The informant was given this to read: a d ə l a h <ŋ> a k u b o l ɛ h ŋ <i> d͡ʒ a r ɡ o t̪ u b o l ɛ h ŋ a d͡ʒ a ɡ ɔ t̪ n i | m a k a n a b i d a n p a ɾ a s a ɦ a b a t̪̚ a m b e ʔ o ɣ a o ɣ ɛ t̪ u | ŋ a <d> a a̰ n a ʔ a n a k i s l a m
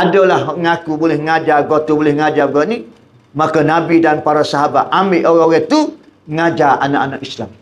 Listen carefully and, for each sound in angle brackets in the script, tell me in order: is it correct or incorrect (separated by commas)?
correct, incorrect, incorrect